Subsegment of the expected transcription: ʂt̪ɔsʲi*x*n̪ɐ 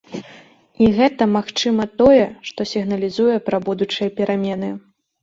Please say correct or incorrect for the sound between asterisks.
incorrect